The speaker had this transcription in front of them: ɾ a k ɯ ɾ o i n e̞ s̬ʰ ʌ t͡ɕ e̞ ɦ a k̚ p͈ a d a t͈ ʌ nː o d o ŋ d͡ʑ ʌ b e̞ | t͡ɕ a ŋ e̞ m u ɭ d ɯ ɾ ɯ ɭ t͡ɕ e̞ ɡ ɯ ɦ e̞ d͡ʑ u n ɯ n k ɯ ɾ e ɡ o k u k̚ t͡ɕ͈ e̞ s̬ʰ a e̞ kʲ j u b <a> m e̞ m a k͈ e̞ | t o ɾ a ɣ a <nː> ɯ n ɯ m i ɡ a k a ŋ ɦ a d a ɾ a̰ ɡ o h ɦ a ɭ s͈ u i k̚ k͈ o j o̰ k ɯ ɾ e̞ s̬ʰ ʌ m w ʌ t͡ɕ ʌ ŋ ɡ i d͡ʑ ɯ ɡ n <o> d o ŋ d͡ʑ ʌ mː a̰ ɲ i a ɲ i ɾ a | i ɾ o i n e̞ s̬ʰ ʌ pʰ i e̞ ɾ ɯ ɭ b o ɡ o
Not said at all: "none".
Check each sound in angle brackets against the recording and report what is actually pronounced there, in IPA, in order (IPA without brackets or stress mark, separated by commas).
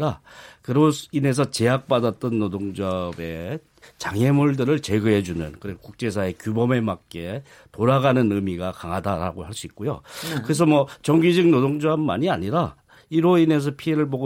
ʌ, n, o